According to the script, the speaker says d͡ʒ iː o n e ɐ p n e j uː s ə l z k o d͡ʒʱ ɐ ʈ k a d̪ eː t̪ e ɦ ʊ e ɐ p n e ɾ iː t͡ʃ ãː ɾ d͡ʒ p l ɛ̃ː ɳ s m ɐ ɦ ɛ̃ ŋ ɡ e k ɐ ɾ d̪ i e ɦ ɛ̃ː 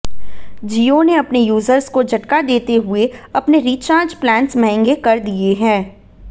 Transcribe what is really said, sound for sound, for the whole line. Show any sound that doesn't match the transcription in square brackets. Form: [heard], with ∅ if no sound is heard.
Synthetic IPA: d͡ʒ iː o n e ɐ p n e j uː [z] ə [ɾ] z k o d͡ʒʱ ɐ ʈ k a d̪ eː t̪ e ɦ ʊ e ɐ p n e ɾ iː t͡ʃ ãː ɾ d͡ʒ p l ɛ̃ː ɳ s m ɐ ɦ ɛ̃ ŋ ɡ e k ɐ ɾ d̪ i e ɦ ɛ̃ː